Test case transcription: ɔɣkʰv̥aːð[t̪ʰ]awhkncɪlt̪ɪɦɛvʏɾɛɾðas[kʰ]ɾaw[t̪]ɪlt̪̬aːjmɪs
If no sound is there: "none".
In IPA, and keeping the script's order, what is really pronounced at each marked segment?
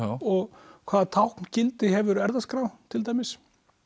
t̪ʰ, k, t̪ʰ

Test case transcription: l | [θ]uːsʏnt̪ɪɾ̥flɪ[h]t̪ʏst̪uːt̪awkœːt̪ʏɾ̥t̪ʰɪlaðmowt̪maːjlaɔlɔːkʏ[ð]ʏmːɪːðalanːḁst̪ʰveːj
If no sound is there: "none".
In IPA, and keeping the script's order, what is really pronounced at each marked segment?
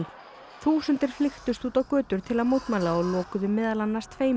θ, x, ð

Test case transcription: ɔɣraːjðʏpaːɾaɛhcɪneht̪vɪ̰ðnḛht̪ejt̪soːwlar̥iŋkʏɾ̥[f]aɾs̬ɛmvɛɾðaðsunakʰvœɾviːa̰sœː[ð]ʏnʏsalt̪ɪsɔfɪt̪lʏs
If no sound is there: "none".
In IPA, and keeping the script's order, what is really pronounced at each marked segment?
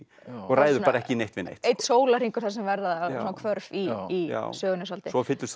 θ, ɣ

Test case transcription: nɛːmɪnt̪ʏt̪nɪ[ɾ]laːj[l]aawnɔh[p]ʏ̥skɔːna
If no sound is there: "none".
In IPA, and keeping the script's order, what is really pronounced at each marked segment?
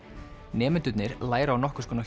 ɾ, ɾ, k

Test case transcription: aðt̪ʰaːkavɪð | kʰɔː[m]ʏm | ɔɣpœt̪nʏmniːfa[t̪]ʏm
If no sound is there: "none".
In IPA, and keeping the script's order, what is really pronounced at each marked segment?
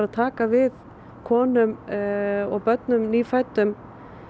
n, t̪

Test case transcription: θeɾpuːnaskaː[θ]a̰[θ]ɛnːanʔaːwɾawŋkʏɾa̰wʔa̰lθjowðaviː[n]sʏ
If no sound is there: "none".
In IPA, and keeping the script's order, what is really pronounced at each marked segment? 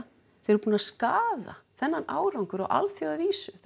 ð, θ, none

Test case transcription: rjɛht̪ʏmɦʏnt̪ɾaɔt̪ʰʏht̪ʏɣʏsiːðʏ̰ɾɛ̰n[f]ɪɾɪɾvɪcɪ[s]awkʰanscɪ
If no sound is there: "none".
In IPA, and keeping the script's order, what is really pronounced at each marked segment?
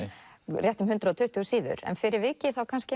f, θ

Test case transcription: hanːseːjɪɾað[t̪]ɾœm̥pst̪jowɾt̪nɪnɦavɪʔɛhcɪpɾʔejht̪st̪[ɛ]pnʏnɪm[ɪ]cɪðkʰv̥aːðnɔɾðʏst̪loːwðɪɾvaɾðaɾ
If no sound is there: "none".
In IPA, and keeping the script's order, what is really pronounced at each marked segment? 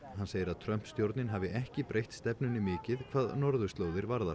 t̪ʰ, ɛ, ɪː

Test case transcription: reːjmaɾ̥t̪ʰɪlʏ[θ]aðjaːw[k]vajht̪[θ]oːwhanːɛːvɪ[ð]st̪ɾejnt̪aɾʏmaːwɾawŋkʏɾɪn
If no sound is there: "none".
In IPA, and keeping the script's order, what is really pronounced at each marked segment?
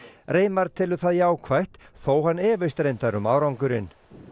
θ, kʰ, θ, none

